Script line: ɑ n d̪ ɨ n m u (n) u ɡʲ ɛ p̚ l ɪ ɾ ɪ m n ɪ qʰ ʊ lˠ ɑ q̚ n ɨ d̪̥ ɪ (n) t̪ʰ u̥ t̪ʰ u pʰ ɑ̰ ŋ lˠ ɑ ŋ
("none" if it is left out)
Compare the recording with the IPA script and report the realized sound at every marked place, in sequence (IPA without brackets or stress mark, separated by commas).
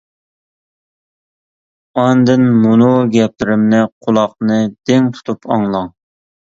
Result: n, ŋ